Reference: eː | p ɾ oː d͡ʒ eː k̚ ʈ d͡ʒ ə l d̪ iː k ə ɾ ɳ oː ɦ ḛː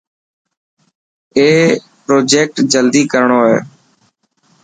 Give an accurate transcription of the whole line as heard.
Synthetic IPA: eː | p ɾ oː d͡ʒ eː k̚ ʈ d͡ʒ ə l d̪ iː k ə ɾ ɳ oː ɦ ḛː